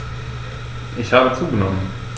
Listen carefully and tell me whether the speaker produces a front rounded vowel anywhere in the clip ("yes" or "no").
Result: no